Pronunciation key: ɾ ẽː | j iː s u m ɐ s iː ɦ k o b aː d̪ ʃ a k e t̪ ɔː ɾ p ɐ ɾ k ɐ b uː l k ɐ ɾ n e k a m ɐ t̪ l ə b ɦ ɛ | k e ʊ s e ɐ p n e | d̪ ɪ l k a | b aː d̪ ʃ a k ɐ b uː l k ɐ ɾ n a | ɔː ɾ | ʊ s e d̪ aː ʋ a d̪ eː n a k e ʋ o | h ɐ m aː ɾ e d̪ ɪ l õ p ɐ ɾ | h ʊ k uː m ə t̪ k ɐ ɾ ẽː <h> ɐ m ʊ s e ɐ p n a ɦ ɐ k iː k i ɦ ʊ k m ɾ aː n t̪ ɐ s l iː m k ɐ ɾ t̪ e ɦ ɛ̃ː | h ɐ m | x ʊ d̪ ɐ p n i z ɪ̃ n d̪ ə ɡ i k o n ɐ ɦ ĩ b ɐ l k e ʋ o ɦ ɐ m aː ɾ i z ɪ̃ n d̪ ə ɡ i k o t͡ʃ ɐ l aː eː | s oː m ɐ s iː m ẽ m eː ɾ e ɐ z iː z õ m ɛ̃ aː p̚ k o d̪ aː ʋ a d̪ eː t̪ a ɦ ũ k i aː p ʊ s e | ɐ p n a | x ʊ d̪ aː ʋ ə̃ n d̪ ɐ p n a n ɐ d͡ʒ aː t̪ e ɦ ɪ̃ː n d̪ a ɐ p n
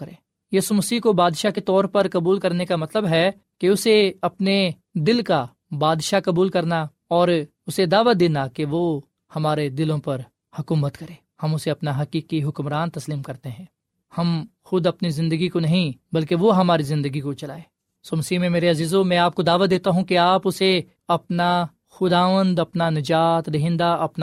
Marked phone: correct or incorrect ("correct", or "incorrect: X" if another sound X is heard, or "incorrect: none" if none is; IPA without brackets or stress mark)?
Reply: correct